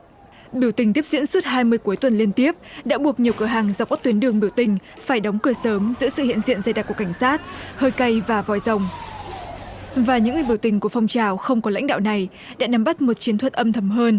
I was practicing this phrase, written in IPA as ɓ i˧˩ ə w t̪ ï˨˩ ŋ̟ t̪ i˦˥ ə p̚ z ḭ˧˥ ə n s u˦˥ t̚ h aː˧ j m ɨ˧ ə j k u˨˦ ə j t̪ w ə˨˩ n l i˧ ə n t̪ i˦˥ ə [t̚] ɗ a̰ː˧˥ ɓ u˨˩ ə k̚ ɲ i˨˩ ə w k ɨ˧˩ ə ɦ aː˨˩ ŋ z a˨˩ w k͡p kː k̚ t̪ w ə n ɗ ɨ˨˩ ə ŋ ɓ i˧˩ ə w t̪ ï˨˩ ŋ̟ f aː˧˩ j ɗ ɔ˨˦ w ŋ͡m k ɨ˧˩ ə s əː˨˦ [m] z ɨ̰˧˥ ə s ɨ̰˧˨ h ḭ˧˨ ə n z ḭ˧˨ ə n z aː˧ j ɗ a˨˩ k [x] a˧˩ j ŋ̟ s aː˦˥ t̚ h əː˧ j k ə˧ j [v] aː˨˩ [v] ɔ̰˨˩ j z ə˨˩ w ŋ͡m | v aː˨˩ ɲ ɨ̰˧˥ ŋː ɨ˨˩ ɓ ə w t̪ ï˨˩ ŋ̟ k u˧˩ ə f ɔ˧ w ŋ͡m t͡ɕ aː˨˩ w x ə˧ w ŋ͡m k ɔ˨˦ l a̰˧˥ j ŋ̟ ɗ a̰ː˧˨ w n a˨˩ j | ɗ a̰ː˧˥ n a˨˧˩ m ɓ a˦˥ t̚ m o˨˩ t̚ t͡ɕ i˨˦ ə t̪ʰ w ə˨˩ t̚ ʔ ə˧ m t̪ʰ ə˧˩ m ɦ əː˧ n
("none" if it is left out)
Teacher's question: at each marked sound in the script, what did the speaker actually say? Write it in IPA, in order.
p̚, m, k, v, v

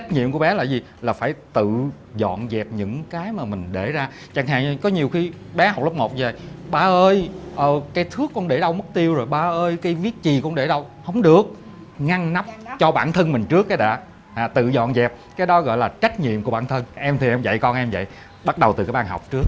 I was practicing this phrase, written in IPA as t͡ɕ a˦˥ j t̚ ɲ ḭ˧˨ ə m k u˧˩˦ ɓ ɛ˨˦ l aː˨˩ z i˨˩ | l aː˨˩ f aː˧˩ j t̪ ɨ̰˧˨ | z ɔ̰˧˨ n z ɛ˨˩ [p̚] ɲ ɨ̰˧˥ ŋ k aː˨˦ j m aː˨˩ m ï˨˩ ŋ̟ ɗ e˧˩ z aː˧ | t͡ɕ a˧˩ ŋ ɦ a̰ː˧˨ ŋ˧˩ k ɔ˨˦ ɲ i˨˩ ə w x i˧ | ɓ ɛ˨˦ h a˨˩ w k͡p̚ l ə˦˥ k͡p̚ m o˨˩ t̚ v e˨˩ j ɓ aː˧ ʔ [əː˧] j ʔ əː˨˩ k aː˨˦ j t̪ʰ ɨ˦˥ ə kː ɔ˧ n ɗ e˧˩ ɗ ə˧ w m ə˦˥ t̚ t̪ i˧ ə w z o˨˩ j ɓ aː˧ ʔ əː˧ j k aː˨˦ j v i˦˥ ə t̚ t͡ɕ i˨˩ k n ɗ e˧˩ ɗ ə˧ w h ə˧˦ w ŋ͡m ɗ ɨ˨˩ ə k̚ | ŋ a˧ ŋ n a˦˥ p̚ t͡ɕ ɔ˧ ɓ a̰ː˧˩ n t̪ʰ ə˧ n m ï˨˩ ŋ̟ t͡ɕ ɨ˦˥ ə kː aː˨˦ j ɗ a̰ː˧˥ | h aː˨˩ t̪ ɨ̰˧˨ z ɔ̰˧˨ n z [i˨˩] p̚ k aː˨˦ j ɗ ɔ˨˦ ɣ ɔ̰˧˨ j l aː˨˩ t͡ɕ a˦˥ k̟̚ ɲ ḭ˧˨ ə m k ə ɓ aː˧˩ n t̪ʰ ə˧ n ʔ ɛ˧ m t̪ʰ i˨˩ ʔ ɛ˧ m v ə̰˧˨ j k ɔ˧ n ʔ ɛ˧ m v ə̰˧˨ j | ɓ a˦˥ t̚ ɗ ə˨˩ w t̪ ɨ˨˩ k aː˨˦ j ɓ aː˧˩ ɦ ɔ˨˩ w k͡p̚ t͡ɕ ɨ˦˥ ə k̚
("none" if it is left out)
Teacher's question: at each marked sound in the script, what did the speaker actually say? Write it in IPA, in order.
p̚, əː˧, ɛ˨˩

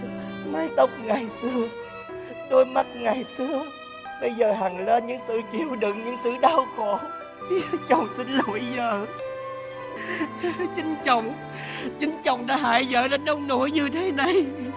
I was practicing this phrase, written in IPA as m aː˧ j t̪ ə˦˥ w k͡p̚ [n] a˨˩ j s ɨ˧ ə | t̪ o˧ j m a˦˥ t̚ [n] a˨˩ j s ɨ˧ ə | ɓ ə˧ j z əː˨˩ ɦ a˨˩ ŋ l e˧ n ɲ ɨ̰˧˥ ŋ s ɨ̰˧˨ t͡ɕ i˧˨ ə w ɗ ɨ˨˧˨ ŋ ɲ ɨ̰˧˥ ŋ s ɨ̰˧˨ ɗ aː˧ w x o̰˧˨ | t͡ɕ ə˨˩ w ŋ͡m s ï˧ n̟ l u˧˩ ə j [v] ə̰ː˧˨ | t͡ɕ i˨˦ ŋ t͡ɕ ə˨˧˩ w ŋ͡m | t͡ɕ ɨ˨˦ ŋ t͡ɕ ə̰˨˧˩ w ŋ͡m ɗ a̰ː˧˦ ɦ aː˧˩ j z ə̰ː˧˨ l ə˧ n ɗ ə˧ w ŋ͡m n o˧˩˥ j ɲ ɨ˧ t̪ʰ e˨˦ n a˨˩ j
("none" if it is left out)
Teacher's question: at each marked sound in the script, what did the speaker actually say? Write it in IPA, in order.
ŋ, ŋ, z

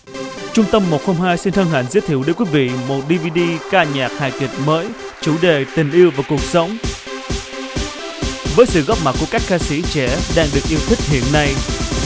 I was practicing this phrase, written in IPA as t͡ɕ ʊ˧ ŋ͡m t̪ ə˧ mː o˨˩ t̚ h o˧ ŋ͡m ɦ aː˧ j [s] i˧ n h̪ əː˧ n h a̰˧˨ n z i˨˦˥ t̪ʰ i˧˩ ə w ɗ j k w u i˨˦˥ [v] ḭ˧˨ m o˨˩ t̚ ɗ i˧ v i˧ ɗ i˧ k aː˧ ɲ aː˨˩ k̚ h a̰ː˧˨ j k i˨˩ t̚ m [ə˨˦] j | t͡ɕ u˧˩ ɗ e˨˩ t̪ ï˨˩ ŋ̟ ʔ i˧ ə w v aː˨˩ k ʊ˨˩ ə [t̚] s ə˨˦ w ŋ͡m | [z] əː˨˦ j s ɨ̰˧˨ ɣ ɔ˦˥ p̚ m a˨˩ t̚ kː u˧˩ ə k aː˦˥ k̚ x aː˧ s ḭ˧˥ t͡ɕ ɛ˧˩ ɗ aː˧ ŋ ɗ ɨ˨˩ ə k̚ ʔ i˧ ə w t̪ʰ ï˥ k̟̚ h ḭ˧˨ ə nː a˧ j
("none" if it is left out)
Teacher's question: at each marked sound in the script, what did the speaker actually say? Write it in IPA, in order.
s, v, əː˨˦, k̚, v

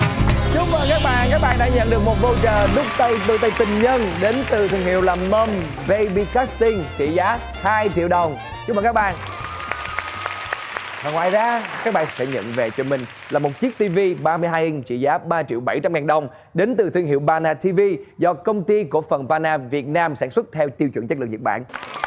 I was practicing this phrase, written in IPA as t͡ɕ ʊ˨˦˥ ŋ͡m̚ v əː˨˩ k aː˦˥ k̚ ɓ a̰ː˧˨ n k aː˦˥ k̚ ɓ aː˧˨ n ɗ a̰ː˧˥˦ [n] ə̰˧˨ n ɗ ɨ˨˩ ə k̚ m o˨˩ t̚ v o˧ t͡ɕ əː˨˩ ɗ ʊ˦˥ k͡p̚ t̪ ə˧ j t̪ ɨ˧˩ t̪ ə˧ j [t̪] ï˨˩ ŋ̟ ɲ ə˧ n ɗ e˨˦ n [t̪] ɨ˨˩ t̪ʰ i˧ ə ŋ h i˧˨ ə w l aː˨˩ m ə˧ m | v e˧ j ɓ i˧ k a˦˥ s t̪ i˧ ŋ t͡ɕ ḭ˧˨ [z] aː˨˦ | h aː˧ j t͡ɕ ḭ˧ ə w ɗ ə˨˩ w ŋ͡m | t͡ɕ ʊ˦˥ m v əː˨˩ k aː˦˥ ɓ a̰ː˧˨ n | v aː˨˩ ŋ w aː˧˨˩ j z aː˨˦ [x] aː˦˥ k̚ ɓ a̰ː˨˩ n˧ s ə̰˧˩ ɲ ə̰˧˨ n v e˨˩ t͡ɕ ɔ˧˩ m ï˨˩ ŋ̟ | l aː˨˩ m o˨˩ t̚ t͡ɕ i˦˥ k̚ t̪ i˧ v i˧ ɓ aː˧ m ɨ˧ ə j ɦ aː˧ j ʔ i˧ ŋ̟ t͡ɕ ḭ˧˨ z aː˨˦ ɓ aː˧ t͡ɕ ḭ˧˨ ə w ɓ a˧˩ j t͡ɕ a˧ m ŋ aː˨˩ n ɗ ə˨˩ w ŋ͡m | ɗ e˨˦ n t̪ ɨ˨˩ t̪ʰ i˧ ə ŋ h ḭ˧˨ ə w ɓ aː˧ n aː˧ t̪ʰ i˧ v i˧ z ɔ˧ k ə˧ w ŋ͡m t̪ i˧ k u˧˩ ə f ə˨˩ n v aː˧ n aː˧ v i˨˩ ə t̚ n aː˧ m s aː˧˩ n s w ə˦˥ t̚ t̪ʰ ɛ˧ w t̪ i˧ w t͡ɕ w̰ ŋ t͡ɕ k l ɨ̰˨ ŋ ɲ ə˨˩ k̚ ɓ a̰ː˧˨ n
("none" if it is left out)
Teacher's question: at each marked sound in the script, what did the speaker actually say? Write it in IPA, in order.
ɲ, t̪, t̪, z, k

